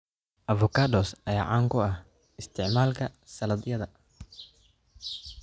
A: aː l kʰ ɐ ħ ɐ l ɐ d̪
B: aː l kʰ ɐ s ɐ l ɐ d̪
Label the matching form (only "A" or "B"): B